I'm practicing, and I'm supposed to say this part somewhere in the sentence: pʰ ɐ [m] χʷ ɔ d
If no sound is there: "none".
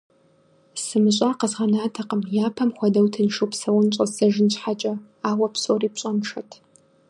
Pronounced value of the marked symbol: m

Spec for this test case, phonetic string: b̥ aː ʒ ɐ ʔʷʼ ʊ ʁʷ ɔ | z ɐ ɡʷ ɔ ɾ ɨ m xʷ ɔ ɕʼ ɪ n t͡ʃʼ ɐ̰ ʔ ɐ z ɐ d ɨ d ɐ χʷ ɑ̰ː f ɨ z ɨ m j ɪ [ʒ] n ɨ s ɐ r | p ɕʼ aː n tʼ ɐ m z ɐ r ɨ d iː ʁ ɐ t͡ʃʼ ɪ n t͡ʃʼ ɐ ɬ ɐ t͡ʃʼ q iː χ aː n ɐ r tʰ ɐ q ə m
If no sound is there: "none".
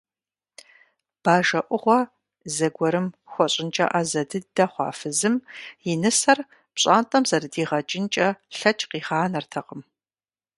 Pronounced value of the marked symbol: none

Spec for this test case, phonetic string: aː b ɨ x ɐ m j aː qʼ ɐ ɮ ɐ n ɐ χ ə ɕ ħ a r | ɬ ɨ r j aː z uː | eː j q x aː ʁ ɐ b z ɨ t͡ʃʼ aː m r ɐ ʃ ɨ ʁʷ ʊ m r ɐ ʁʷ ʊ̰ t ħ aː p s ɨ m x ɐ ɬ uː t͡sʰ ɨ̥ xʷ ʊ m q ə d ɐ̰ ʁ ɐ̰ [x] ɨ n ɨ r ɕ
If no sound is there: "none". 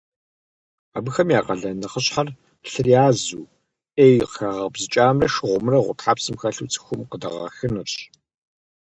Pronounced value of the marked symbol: x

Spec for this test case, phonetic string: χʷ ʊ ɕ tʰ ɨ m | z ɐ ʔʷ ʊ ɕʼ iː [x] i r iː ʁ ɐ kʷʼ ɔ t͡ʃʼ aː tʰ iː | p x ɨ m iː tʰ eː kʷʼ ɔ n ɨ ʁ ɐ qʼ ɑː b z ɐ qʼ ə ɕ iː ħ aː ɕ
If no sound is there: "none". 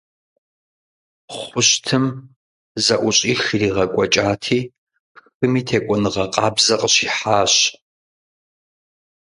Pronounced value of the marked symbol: x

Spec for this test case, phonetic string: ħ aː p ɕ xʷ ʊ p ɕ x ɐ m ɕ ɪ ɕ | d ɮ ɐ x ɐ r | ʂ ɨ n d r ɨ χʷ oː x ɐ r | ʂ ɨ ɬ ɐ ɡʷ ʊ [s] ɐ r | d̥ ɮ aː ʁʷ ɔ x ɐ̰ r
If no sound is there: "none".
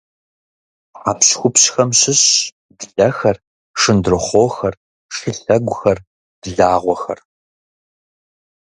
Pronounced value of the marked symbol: x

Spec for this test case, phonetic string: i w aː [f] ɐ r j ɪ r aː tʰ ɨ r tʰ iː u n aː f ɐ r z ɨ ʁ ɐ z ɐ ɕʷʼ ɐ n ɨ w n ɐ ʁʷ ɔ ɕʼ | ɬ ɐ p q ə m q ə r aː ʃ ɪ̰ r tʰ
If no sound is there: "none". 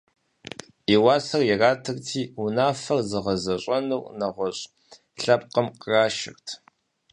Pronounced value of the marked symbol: s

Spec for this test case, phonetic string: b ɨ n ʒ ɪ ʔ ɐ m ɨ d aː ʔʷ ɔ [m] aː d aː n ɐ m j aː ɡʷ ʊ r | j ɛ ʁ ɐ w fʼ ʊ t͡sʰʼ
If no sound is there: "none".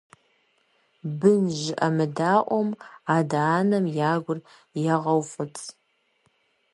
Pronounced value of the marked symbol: m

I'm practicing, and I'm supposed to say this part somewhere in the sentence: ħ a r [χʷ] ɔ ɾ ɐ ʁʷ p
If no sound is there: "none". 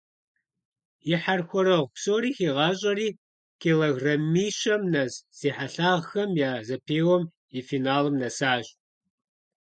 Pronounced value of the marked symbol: xʷ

